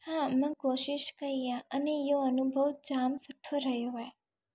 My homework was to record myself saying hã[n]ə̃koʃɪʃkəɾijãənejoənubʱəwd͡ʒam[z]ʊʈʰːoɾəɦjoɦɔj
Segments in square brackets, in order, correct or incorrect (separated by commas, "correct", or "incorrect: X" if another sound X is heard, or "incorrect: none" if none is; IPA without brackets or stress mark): incorrect: m, incorrect: s